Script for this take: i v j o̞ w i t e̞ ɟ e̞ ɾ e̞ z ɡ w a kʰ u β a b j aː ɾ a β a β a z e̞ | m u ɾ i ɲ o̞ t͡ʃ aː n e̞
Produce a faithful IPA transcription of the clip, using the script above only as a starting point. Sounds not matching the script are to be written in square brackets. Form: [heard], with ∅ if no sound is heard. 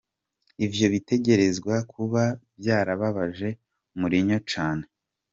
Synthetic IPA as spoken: i v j o̞ [β] i t e̞ ɟ e̞ ɾ e̞ z ɡ w a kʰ u β a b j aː ɾ a β a β a [ʒ] e̞ | m u ɾ i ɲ o̞ t͡ʃ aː n e̞